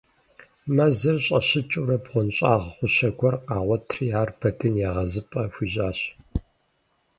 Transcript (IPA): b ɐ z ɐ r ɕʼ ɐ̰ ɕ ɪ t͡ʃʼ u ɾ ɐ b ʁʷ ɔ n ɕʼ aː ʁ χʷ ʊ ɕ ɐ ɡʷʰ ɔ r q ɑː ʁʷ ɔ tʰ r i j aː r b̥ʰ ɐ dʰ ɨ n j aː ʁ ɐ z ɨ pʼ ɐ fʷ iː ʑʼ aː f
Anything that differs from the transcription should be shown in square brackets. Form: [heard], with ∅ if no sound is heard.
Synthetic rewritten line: [m] ɐ z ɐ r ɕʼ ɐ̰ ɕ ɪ t͡ʃʼ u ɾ ɐ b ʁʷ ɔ n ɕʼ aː ʁ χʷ ʊ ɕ ɐ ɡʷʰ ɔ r q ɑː ʁʷ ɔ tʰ r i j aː r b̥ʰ ɐ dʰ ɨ n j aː ʁ ɐ z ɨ pʼ ɐ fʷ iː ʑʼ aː [ɕ]

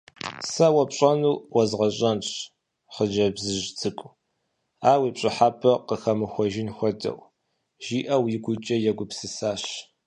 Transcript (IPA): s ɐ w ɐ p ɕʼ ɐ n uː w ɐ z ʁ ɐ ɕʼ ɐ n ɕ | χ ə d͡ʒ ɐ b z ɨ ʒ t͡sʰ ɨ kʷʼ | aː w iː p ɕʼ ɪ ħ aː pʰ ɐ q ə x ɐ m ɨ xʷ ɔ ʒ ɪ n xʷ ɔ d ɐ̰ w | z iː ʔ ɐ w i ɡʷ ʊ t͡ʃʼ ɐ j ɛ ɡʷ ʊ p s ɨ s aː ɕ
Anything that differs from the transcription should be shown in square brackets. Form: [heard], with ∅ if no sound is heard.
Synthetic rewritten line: s ɐ w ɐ p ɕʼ ɐ n uː w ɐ z ʁ ɐ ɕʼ ɐ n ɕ | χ ə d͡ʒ ɐ b z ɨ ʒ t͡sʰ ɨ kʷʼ | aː w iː p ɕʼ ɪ ħ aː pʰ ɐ q ə x ɐ m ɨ xʷ ɔ ʒ ɪ n xʷ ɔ d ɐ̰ w | [ʒ] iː ʔ ɐ w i ɡʷ ʊ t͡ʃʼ ɐ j ɛ ɡʷ ʊ p s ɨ s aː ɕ

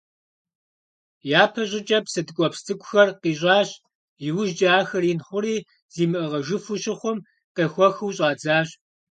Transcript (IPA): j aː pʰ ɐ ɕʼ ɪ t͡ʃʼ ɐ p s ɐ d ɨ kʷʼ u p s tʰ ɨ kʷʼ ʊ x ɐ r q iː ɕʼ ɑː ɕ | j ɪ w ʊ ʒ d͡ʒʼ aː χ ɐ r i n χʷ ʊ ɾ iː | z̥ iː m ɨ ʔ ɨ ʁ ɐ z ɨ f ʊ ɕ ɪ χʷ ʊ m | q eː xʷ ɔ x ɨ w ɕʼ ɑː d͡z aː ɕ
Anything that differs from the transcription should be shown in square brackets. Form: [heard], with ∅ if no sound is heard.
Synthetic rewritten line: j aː pʰ ɐ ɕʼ ɪ t͡ʃʼ ɐ p s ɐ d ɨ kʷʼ [ɔ] p s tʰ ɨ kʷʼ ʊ x ɐ r q iː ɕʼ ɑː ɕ | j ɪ w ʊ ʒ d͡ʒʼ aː [x] ɐ r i n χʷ ʊ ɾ iː | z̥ iː m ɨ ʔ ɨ ʁ ɐ [ʒ] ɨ f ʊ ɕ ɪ χʷ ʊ m | q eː xʷ ɔ x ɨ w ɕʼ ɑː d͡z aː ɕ

